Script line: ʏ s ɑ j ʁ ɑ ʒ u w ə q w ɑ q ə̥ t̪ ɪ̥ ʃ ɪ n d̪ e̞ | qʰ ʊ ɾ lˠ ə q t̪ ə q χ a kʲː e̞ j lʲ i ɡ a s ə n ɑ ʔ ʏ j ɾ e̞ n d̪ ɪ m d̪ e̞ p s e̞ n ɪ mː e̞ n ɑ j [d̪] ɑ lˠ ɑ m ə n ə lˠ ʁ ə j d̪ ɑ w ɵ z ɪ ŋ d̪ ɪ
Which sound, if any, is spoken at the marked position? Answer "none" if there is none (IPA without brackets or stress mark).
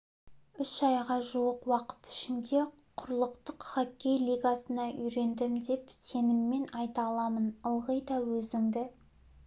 t̪